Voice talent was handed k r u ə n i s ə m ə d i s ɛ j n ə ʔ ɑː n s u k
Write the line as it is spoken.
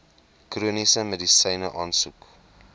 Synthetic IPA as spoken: k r u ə n i s ə m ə d i s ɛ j n ə ʔ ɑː n s u k